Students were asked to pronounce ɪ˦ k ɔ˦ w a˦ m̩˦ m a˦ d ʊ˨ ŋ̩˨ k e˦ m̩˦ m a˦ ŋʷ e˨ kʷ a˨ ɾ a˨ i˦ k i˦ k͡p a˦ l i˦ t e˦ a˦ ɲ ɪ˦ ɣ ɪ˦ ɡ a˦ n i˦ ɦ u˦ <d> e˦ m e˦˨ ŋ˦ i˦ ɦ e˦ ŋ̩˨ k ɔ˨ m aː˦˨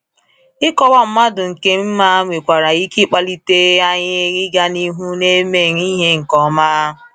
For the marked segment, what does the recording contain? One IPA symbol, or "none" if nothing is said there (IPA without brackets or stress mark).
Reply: n